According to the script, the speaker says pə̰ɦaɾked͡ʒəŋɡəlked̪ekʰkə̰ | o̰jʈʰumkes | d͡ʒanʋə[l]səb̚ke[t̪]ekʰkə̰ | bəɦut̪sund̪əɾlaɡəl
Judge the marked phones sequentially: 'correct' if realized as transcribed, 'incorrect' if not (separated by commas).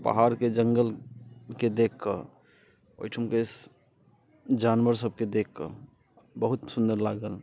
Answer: incorrect, incorrect